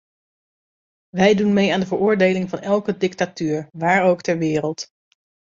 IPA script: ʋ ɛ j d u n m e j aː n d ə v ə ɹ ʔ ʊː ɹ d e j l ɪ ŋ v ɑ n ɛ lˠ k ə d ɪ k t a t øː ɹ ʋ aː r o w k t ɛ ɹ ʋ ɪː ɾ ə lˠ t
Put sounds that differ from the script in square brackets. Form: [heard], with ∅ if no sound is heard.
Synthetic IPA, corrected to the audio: ʋ ɛ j d u n m e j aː n d ə v ə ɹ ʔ ʊː ɹ d e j l ɪ ŋ v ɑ n ɛ lˠ k ə d ɪ k t a t [yː] ɹ ʋ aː [ɹ] o w k t ɛ ɹ ʋ ɪː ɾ ə lˠ t